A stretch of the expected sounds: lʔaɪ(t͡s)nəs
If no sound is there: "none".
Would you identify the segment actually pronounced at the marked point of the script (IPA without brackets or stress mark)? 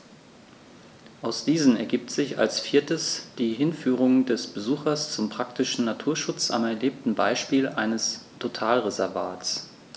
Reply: none